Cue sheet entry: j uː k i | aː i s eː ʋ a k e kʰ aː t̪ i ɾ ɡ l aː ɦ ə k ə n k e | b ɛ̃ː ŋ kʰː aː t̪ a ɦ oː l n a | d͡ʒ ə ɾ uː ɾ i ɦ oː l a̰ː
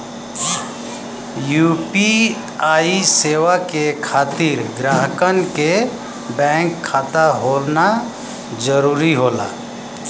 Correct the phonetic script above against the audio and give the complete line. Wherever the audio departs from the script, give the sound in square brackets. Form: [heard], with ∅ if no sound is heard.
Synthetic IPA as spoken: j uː [p] i | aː i s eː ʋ a k e kʰ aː t̪ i ɾ ɡ [ɾ] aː ɦ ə k ə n k e | b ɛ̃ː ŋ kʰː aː t̪ a ɦ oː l n a | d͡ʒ ə ɾ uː ɾ i ɦ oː l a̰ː